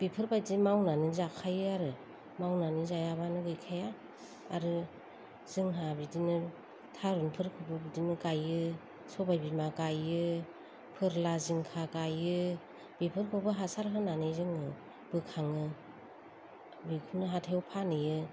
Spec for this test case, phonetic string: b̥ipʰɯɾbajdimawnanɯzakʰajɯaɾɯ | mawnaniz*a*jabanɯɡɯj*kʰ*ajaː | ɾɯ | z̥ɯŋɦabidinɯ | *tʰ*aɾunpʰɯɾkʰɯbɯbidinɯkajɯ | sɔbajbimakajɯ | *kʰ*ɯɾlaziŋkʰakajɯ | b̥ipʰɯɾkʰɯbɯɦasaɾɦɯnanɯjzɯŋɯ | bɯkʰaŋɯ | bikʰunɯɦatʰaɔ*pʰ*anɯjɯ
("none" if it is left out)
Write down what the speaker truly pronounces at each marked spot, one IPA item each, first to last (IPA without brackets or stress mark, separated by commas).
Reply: a, kʰ, tʰ, pʰ, pʰ